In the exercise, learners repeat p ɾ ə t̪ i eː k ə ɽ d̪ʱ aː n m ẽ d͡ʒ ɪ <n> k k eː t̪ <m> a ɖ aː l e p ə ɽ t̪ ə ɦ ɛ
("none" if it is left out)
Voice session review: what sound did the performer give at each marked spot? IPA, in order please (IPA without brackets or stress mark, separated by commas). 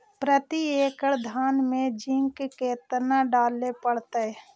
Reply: ŋ, n